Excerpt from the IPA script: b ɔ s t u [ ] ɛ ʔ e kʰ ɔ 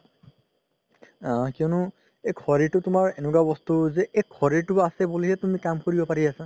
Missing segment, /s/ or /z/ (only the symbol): z